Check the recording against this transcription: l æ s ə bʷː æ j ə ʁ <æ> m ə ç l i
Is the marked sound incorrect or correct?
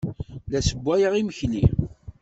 incorrect